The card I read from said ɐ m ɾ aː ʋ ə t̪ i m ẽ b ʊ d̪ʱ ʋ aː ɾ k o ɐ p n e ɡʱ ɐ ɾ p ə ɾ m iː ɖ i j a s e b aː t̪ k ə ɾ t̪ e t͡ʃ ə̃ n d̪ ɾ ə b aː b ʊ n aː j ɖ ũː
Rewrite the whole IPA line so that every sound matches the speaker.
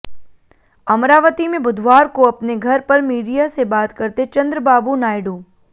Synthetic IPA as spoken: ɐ m ɾ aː ʋ ə t̪ i m ẽ b ʊ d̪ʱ ʋ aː ɾ k o ɐ p n e ɡʱ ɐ ɾ p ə ɾ m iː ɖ i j a s e b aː t̪ k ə ɾ t̪ e t͡ʃ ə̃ n d̪ ɾ ə b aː b u n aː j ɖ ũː